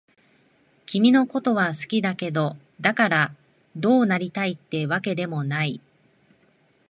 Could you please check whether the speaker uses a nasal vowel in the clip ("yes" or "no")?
no